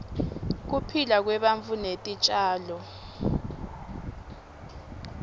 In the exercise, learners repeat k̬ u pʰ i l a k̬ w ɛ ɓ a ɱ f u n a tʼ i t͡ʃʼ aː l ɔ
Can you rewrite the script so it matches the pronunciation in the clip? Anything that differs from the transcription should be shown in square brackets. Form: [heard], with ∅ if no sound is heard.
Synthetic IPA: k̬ u pʰ i l a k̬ w ɛ ɓ a ɱ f u n [e] tʼ i t͡ʃʼ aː l ɔ